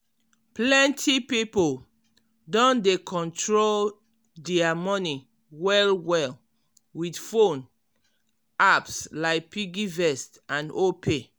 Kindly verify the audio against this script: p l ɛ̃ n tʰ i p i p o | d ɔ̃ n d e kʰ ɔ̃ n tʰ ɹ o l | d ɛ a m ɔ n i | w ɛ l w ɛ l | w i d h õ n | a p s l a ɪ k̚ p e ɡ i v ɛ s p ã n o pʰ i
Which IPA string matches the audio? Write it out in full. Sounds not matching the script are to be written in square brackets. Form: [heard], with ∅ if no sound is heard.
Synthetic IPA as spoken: p l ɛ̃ n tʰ i p i p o | d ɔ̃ n d e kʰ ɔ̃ n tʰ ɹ o l | d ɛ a m ɔ n i | w ɛ l w ɛ l | w i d [f] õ n | a p s l a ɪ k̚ p [i] ɡ i v ɛ s [t] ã n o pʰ [e]